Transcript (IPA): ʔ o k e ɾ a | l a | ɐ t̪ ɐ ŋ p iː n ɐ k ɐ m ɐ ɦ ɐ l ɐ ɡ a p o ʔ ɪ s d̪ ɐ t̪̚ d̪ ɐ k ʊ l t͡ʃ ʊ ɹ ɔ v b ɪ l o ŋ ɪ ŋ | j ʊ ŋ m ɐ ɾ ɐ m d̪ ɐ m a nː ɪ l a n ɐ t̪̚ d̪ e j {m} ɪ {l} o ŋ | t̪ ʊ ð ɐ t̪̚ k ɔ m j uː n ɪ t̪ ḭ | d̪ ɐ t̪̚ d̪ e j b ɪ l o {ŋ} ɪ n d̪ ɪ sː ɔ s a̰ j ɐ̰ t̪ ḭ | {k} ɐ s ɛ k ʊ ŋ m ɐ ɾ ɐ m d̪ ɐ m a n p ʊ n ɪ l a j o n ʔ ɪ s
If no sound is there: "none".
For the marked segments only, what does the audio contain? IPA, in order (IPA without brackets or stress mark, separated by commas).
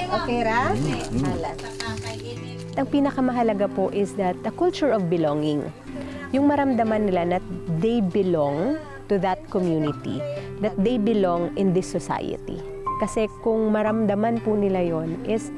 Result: b, l, ŋ, k